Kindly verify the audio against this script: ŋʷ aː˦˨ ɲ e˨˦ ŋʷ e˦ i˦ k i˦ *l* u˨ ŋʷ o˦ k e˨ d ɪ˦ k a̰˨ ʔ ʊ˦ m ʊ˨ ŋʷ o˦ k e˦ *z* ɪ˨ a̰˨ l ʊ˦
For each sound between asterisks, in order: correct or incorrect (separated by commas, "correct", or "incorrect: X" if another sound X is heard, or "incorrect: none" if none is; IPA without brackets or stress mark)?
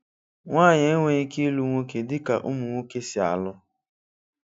correct, incorrect: s